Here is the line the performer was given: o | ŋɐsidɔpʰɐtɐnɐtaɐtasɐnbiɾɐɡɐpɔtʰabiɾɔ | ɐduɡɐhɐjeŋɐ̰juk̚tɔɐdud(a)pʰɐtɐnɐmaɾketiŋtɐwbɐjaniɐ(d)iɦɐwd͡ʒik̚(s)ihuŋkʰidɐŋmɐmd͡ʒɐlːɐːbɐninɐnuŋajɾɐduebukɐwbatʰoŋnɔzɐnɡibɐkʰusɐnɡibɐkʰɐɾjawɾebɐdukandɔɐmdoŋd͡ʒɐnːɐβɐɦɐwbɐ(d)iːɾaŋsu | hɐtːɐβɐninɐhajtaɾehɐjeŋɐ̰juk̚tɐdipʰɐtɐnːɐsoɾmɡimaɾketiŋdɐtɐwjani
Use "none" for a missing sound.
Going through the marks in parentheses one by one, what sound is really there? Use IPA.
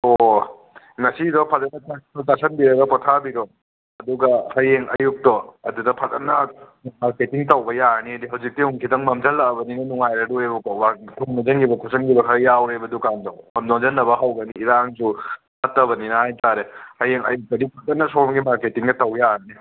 ɐ, d, t, n

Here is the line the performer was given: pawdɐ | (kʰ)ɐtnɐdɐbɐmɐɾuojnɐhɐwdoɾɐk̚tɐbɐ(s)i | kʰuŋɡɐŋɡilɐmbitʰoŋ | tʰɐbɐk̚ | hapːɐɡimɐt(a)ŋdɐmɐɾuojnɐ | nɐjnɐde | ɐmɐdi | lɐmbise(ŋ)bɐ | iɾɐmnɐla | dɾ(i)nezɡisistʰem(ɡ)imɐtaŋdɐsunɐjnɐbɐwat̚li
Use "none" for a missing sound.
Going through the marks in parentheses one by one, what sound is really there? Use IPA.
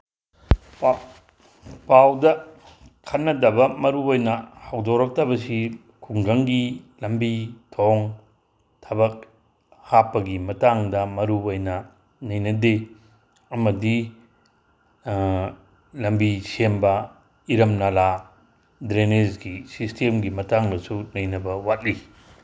kʰ, s, a, m, e, ɡ

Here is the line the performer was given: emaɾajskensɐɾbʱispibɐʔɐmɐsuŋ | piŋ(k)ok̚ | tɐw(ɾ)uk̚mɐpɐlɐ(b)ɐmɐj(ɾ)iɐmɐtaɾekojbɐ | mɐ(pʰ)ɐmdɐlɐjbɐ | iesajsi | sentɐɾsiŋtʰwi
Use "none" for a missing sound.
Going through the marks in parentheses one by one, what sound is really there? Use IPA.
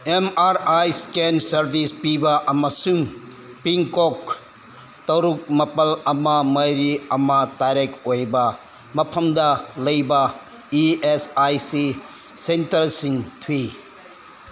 k, ɾ, m, ɾ, pʰ

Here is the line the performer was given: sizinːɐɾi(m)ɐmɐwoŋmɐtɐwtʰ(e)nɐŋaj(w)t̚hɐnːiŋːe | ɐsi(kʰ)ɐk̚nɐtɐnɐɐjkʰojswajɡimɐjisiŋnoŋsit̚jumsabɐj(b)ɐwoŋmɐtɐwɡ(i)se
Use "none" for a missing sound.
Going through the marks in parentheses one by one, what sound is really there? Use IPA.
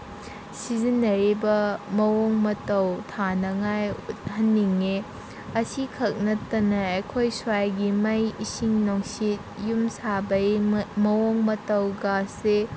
b, a, u, kʰ, m, a

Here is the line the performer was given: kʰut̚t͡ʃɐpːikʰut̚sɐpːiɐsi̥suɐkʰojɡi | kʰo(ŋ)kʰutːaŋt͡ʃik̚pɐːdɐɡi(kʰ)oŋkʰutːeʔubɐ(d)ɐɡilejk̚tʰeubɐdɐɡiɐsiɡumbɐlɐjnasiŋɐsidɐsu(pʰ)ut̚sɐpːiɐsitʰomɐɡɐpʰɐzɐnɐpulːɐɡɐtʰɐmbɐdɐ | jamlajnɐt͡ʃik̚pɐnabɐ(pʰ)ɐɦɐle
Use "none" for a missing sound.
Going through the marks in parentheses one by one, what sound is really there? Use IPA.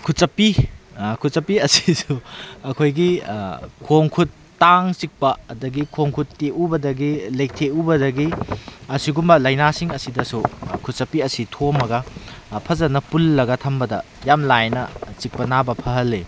ŋ, kʰ, d, kʰ, pʰ

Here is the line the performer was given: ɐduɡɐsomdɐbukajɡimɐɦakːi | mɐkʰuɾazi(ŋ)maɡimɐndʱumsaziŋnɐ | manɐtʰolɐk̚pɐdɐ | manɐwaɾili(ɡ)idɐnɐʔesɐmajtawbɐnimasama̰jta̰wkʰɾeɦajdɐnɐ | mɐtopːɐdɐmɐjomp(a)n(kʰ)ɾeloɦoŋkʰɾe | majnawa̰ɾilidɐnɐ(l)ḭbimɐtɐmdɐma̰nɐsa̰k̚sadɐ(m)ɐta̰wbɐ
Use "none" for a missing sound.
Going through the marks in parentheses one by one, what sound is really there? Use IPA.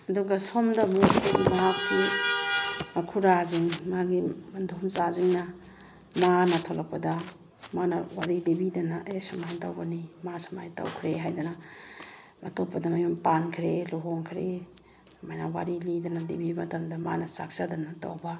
ŋ, b, a, kʰ, l, n

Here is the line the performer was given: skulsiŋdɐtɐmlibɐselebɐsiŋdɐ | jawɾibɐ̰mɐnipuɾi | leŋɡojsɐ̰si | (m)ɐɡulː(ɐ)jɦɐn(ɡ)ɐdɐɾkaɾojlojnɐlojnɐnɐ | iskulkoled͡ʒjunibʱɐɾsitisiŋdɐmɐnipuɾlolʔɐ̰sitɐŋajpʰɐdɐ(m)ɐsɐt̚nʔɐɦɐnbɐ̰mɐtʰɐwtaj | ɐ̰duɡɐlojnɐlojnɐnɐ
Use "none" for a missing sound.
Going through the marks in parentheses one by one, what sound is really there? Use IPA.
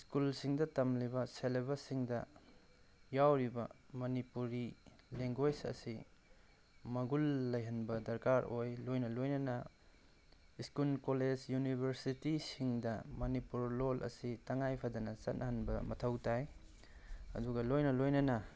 m, ɐ, b, n

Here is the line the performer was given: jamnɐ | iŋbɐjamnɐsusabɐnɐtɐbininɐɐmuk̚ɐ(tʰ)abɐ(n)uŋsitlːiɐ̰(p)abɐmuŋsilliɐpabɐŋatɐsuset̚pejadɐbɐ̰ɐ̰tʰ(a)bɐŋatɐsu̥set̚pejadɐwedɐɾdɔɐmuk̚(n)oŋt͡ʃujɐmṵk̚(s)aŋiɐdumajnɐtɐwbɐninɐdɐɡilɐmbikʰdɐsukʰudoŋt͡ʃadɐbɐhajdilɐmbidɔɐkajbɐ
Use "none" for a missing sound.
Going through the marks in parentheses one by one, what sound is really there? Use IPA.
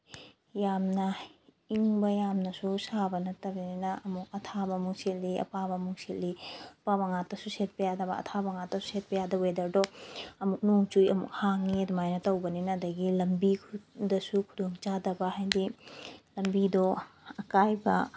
tʰ, m, p, a, n, h

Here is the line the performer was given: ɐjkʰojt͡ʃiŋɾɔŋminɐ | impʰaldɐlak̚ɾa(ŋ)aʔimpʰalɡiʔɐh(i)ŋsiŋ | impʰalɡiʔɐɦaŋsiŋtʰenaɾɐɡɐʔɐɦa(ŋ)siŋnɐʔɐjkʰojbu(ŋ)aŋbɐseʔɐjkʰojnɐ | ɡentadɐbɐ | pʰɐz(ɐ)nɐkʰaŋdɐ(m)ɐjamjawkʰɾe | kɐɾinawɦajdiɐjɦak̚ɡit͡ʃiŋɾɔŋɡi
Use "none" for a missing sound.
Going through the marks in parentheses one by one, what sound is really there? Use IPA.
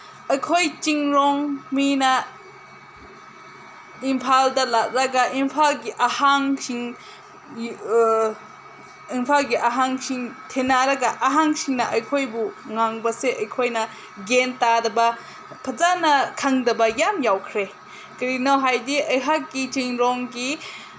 ɡ, a, ŋ, ŋ, a, b

